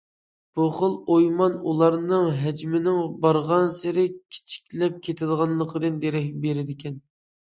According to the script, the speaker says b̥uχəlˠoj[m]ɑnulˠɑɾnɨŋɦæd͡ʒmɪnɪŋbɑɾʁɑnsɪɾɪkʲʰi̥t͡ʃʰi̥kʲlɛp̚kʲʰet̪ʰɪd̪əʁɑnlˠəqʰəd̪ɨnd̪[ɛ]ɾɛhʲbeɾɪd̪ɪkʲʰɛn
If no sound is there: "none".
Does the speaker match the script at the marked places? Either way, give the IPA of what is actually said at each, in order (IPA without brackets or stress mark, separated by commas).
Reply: m, e